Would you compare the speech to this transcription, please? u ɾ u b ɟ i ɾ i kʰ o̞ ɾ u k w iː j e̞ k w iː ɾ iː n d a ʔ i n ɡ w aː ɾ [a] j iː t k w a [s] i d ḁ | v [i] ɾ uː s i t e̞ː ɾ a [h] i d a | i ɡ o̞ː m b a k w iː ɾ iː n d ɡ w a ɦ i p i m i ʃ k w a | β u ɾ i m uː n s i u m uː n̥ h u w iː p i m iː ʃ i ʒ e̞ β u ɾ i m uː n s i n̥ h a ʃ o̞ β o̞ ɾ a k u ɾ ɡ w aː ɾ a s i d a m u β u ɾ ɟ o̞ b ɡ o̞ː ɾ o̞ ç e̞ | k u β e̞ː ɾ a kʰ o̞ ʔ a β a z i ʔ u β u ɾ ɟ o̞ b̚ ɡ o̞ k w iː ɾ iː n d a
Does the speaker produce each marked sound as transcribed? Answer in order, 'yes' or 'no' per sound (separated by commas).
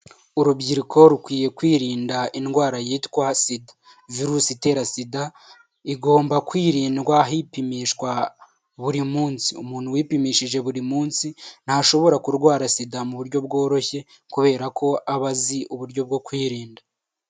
yes, yes, yes, no